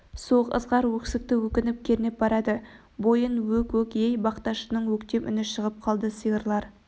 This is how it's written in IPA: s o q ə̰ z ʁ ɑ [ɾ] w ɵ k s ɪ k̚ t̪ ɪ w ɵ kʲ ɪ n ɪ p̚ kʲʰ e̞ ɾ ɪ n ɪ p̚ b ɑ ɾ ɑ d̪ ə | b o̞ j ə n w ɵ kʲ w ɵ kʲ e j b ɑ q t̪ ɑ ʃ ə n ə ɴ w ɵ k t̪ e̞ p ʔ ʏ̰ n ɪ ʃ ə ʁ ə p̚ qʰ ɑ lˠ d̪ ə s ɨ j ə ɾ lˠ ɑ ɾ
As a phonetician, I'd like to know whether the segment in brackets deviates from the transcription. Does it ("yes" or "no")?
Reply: no